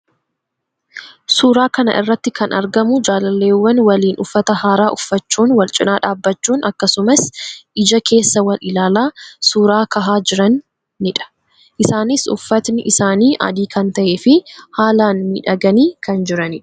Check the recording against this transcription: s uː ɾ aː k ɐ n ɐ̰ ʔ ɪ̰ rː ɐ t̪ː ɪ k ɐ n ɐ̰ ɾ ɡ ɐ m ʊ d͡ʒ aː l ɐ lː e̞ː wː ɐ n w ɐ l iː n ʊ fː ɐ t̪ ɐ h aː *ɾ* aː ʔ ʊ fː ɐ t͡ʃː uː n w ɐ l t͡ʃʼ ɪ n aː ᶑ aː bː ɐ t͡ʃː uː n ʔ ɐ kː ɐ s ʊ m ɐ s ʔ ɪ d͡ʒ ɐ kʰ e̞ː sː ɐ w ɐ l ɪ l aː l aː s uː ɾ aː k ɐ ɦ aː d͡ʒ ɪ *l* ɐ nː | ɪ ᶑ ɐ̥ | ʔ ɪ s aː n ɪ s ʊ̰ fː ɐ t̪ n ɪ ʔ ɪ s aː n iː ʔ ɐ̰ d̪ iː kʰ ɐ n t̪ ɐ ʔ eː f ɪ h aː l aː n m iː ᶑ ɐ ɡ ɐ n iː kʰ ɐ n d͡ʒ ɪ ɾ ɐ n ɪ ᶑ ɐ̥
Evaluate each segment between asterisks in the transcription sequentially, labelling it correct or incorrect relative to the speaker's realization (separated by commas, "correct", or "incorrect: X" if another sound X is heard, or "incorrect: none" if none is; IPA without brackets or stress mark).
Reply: correct, incorrect: ɾ